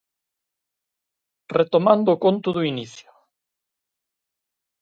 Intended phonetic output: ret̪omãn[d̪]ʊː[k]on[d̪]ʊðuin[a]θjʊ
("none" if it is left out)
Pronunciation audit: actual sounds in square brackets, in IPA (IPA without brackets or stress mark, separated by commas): d̪, k, t̪, i